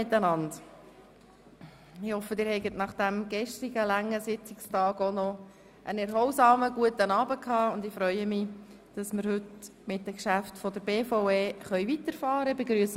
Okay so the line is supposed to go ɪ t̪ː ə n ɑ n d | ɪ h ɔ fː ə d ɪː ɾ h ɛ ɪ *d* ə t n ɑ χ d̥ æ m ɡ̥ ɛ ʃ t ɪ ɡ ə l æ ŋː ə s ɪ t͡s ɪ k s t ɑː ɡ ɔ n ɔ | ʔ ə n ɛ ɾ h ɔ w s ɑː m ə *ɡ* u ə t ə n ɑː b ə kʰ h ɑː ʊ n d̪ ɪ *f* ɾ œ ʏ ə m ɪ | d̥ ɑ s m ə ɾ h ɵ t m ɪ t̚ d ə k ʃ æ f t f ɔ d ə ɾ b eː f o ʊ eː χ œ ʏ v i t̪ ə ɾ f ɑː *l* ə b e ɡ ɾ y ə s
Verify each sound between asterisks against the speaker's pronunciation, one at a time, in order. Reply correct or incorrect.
incorrect, correct, correct, incorrect

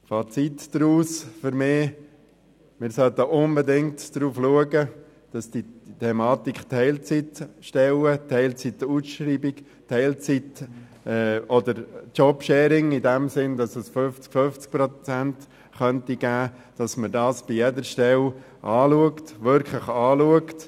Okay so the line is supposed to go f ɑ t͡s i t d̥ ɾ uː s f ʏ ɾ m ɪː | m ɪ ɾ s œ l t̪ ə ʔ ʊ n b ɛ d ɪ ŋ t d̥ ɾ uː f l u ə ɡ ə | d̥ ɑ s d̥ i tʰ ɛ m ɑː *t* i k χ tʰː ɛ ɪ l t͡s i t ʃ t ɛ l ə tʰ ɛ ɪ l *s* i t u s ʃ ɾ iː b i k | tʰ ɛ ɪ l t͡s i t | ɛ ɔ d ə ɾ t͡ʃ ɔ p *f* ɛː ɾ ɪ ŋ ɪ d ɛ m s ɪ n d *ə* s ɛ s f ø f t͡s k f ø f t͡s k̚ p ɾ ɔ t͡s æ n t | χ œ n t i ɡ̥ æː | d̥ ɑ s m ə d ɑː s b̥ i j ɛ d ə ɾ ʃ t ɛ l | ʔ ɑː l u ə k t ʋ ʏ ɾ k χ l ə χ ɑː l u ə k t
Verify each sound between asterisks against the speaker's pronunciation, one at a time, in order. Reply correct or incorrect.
correct, incorrect, incorrect, incorrect

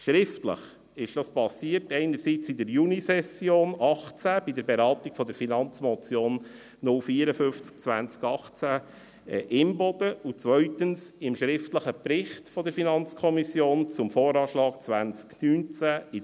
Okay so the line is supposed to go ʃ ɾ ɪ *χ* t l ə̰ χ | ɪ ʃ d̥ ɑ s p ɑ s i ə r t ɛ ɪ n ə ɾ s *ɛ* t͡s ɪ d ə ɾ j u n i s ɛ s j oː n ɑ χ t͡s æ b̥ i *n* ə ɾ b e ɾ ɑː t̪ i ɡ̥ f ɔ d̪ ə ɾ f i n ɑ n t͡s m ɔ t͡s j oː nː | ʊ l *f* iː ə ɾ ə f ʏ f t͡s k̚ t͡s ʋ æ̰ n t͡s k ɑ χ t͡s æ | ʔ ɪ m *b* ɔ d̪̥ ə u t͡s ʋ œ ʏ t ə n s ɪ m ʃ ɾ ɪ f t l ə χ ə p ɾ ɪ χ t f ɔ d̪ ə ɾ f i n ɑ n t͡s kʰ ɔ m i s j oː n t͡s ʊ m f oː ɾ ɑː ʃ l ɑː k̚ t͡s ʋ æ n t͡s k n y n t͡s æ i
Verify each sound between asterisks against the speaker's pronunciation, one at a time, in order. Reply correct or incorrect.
incorrect, incorrect, incorrect, correct, correct

